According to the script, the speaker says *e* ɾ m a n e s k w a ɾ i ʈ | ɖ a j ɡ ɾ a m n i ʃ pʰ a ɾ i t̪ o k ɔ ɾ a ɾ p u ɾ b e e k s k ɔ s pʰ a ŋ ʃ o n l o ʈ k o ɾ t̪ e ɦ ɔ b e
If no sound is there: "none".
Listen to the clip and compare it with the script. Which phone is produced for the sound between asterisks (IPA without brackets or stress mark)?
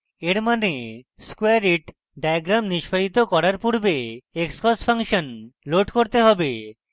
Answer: e